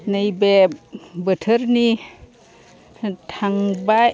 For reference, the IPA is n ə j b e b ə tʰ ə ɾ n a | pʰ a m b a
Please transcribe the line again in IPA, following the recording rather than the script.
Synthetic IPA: n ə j b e b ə tʰ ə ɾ n i | tʰ a ŋ b a